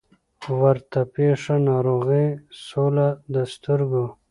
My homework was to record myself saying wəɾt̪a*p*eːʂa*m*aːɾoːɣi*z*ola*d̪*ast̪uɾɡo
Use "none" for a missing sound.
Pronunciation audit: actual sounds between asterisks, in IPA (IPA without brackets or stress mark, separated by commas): p, n, s, d̪